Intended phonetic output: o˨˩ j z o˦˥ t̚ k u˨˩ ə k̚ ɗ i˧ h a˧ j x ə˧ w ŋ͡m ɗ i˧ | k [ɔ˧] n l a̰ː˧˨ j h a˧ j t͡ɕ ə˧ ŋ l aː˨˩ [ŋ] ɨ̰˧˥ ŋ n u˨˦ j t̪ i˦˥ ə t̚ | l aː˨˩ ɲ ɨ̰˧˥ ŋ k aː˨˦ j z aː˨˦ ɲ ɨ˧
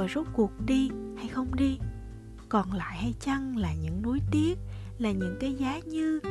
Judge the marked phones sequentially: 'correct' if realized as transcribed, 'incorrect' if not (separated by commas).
incorrect, incorrect